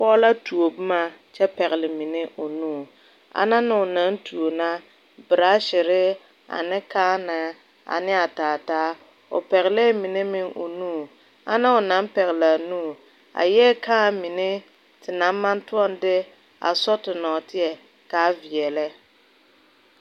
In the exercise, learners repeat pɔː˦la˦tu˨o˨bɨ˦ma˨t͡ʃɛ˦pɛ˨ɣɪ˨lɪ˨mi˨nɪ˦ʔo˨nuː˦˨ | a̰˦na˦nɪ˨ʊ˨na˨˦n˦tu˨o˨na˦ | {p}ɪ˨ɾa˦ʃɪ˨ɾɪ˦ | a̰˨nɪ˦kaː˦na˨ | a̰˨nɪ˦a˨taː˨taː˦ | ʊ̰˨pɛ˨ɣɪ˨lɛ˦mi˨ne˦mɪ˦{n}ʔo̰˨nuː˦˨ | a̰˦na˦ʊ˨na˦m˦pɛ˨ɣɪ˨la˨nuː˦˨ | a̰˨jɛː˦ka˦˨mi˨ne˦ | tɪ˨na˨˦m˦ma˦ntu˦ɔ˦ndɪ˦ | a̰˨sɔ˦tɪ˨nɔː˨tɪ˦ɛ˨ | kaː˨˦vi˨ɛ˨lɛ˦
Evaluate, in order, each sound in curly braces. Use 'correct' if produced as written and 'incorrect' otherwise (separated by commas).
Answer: incorrect, incorrect